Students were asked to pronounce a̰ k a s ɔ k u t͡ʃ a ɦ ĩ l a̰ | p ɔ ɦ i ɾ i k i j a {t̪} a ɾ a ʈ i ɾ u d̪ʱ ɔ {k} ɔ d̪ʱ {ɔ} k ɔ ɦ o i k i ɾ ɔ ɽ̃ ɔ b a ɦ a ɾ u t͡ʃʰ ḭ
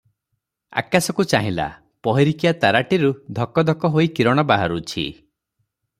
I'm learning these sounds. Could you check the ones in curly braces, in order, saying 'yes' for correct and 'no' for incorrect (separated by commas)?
yes, yes, yes